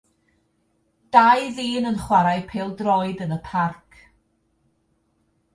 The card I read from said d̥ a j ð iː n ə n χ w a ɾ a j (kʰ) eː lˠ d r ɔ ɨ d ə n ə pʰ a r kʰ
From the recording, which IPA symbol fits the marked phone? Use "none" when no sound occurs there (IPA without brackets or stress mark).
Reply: pʰ